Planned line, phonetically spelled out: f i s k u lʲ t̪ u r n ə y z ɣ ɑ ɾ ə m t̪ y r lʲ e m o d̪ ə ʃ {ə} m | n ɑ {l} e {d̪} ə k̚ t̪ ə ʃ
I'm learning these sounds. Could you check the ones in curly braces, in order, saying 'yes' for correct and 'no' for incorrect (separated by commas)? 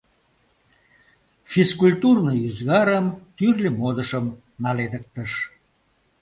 yes, yes, yes